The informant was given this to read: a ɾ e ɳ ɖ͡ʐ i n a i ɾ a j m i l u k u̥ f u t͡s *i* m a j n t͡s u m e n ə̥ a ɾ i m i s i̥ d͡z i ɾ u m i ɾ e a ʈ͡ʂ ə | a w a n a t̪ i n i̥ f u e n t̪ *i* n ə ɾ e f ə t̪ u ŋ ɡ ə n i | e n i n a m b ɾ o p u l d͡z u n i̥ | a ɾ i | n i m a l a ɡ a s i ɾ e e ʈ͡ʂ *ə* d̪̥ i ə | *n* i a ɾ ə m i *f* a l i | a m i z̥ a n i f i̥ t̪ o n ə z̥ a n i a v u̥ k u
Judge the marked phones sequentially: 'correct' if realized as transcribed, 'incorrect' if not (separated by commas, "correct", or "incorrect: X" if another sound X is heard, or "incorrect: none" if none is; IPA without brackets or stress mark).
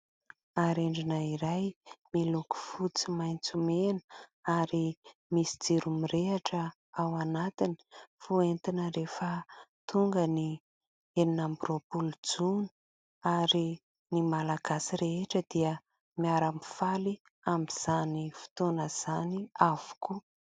correct, correct, correct, incorrect: m, correct